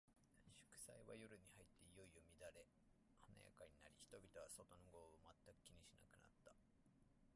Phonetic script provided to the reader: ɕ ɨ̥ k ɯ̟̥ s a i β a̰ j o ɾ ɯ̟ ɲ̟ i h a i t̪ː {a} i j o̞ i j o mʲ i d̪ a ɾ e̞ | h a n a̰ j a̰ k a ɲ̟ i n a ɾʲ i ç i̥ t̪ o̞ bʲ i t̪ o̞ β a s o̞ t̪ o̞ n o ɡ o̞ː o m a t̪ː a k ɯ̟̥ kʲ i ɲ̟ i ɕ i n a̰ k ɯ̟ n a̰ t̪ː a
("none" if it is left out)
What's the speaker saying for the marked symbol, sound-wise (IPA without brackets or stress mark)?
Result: e